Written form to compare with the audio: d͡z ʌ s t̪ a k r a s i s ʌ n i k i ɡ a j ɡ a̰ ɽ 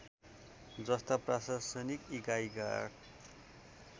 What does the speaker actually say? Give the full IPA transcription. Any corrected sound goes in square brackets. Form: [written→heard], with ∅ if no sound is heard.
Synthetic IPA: d͡z ʌ s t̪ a [k→p] r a s [i→a] s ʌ n i k i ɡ a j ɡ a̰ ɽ